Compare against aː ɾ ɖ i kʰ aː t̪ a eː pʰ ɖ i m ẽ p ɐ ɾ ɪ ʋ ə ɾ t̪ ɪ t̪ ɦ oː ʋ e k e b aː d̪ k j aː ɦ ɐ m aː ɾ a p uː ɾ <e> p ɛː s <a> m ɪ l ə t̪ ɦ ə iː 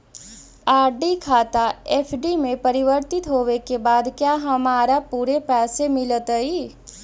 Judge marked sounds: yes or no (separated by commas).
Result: yes, no